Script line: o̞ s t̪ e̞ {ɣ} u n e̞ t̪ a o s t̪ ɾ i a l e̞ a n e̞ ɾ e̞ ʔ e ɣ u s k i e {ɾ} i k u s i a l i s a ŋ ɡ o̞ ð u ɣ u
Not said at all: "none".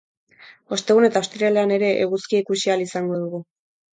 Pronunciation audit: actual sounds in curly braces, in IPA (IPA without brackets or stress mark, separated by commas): ɣ, none